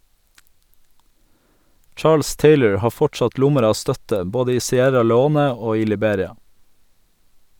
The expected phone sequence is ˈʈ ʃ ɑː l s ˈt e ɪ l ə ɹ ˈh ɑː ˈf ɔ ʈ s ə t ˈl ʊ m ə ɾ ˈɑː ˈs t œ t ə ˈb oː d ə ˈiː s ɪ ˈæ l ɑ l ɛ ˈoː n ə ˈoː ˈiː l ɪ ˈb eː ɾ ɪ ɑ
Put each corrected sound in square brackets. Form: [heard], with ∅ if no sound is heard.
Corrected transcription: ˈʈ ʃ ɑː l s ˈt e ɪ l ə ɹ ˈh ɑː ˈf ɔ ʈ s [ɑ] t ˈl ʊ m ə ɾ ˈɑː ˈs t œ t ə ˈb oː d ə ˈiː s ɪ ˈæ [ɾ] ɑ l ɛ ˈoː n ə ˈoː ˈiː l ɪ ˈb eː ɾ ɪ ɑ